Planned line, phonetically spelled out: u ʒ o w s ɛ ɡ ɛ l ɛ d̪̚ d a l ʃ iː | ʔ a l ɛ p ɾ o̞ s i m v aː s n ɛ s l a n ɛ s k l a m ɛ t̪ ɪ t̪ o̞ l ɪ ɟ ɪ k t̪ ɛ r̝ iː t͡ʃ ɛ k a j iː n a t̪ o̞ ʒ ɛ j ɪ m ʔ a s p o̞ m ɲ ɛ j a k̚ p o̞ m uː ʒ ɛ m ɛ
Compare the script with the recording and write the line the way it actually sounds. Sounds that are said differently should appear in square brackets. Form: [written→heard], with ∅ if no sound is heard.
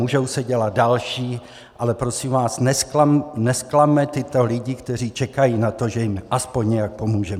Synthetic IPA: u ʒ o w s ɛ [ɡ→ɟ] ɛ l [ɛ→a] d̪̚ d a l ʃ iː | ʔ a l ɛ p ɾ o̞ s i m v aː s n ɛ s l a n ɛ s k l a m ɛ t̪ ɪ t̪ o̞ l ɪ ɟ ɪ k t̪ ɛ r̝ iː t͡ʃ ɛ k a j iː n a t̪ o̞ ʒ ɛ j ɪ m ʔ a s p o̞ [m→ɲ] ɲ ɛ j a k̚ p o̞ m uː ʒ ɛ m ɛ

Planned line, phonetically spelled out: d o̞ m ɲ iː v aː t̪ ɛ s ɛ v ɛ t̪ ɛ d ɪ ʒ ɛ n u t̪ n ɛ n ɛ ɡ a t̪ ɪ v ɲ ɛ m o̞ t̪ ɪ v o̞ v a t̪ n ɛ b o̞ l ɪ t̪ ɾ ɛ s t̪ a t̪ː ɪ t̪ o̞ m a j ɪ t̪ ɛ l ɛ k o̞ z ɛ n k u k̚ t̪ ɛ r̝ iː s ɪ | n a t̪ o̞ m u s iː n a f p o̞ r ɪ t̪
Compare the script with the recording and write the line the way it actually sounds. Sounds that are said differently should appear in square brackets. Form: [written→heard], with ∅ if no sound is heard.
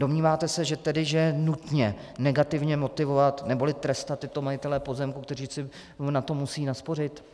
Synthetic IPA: d o̞ m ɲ iː v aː t̪ ɛ s ɛ [v→ʒ] ɛ t̪ ɛ d ɪ ʒ ɛ n u t̪ [n→ɲ] ɛ n ɛ ɡ a t̪ ɪ v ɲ ɛ m o̞ t̪ ɪ v o̞ v a t̪ n ɛ b o̞ l ɪ t̪ ɾ ɛ s t̪ a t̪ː ɪ t̪ o̞ m a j ɪ t̪ ɛ l ɛ [k→p] o̞ z ɛ [n→m] k u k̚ t̪ ɛ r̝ iː s ɪ | n a t̪ o̞ m u s iː n a [f→s] p o̞ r ɪ t̪

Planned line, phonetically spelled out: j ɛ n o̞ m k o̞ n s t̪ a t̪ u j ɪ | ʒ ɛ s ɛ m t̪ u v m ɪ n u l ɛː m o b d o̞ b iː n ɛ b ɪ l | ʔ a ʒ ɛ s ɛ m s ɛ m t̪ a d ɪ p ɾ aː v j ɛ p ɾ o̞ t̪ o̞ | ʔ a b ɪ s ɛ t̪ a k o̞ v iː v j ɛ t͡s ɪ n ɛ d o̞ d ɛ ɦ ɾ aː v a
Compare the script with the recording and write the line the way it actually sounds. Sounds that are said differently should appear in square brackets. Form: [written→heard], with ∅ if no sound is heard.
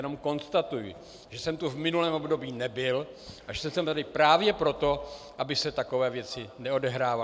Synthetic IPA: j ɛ n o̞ m k o̞ n s t̪ a t̪ u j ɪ | ʒ ɛ s ɛ m t̪ u v m ɪ n u l ɛː m o b d o̞ b iː n ɛ b ɪ l | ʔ a ʒ ɛ s ɛ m s ɛ m t̪ a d ɪ p ɾ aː v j ɛ p ɾ o̞ t̪ o̞ | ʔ a b ɪ s ɛ t̪ a k o̞ v [iː→ɛː] v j ɛ t͡s ɪ n ɛ [d→∅] o̞ d ɛ ɦ ɾ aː v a

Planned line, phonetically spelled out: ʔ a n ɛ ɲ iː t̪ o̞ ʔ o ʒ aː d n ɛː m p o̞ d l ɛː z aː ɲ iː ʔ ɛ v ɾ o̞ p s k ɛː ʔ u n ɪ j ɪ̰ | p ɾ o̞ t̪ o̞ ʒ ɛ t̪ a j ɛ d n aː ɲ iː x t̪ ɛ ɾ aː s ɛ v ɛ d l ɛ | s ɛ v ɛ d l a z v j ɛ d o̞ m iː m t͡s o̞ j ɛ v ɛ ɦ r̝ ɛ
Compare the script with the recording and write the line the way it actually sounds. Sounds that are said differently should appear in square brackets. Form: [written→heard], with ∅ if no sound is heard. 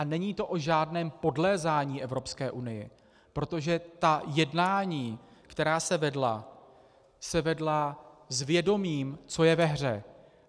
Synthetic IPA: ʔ a n ɛ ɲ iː t̪ o̞ ʔ o ʒ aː d n ɛː m p o̞ d l ɛː z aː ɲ iː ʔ ɛ v ɾ o̞ p s k ɛː ʔ u n ɪ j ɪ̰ | p ɾ o̞ t̪ o̞ ʒ ɛ t̪ a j ɛ d n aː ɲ iː [x→k] t̪ ɛ ɾ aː s ɛ v ɛ d l [ɛ→a] | s ɛ v ɛ d l a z v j ɛ d o̞ m iː m t͡s o̞ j ɛ v ɛ ɦ r̝ ɛ

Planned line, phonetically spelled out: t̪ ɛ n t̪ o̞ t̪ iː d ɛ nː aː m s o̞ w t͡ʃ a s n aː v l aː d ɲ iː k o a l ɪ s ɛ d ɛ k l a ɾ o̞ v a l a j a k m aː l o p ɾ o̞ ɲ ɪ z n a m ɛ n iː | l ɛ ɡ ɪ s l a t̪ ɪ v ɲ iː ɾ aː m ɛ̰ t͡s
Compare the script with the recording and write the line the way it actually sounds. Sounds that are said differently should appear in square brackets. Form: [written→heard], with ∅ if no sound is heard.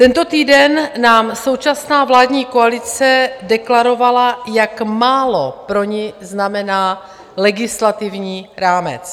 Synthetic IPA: t̪ ɛ n t̪ o̞ t̪ iː d ɛ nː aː m s o̞ w t͡ʃ a s n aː v l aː d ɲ iː k o a l ɪ [s→t͡s] ɛ d ɛ k l a ɾ o̞ v a l a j a k m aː l o p ɾ o̞ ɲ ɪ z n a m ɛ n [iː→aː] | l ɛ ɡ ɪ s l a t̪ ɪ v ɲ iː ɾ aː m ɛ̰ t͡s

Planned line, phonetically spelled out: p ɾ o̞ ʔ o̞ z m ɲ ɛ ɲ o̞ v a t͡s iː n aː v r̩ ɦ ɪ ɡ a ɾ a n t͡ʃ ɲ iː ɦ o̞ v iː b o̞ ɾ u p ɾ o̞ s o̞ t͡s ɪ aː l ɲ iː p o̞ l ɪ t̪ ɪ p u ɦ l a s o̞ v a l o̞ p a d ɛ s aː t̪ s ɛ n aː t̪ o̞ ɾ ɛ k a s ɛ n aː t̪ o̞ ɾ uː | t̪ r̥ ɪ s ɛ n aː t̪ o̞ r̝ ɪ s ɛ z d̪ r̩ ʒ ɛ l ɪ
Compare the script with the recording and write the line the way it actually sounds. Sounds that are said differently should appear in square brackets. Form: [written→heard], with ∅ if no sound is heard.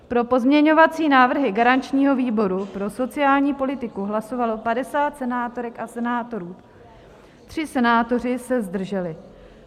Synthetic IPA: p ɾ o̞ [ʔ→p] o̞ z m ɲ ɛ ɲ o̞ v a t͡s iː n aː v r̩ ɦ ɪ ɡ a ɾ a n t͡ʃ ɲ iː ɦ o̞ v iː b o̞ ɾ u p ɾ o̞ s o̞ t͡s ɪ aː l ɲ iː p o̞ l ɪ t̪ ɪ [p→k] u ɦ l a s o̞ v a l o̞ p a d ɛ s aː t̪ s ɛ n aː t̪ o̞ ɾ ɛ k a s ɛ n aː t̪ o̞ ɾ uː | t̪ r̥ ɪ s ɛ n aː t̪ o̞ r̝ ɪ s ɛ z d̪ r̩ ʒ ɛ l ɪ

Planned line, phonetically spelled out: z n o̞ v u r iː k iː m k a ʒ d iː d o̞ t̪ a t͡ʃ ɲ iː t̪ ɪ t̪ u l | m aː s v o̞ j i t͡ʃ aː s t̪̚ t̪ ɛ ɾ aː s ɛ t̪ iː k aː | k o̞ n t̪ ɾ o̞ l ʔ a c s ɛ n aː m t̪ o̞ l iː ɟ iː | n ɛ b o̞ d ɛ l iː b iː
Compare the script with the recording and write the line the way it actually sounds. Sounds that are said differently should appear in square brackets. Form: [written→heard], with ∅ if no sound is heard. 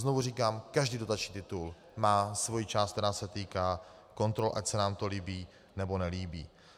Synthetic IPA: z n o̞ v u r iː k [iː→aː] m k a ʒ d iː d o̞ t̪ a t͡ʃ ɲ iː t̪ ɪ t̪ u l | m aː s v o̞ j i t͡ʃ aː s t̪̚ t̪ ɛ ɾ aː s ɛ t̪ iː k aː | k o̞ n t̪ ɾ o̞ l ʔ a c s ɛ n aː m t̪ o̞ l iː [ɟ→b] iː | n ɛ b o̞ [d→n] ɛ l iː b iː

